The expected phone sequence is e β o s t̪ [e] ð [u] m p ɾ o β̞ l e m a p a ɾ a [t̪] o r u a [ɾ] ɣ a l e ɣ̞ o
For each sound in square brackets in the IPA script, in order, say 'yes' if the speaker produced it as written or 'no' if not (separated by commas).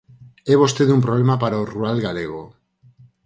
yes, yes, no, no